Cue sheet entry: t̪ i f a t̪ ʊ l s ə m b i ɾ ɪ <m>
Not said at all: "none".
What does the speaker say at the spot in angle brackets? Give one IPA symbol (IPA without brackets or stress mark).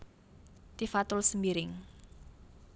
ŋ